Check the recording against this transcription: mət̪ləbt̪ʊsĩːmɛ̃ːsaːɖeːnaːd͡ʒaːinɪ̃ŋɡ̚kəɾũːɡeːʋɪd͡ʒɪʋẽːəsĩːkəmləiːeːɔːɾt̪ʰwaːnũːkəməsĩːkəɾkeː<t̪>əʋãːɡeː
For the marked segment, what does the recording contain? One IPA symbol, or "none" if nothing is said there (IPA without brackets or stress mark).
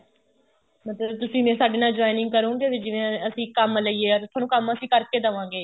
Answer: d̪